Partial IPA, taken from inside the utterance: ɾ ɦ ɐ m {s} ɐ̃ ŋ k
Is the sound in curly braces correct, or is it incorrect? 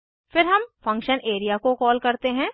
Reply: incorrect